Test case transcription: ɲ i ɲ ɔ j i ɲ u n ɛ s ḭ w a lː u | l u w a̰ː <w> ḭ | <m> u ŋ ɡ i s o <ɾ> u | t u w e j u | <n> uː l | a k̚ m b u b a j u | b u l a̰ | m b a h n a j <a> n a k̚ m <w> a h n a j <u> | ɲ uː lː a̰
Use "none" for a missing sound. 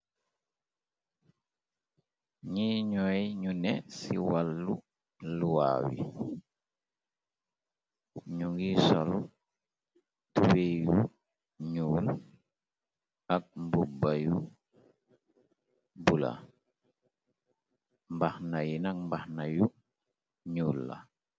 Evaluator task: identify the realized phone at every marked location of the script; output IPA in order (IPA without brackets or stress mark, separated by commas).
w, ɲ, l, ɲ, i, b, u